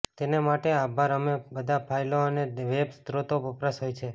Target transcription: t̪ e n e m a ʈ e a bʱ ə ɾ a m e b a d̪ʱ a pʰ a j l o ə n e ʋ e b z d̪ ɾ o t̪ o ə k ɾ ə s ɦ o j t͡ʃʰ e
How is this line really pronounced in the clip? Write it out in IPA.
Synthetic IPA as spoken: t̪ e n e m a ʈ e a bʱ a ɾ ə m e b ə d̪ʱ a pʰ a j l o ə n e ʋ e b s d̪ ɾ o t̪ o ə p ɾ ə s ɦ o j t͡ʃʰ e